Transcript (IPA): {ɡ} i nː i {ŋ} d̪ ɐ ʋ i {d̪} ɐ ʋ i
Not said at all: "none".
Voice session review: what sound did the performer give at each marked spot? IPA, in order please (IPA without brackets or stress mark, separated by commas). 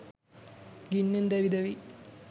ɡ, n, d̪